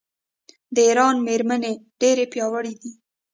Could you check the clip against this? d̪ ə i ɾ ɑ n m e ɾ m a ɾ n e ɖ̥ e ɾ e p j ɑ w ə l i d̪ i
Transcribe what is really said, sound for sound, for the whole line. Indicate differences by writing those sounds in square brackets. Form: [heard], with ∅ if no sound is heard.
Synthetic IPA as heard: d̪ ə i ɾ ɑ n m e ɾ m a [∅] n e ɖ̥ e ɾ e p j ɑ w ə [ɽ] i d̪ i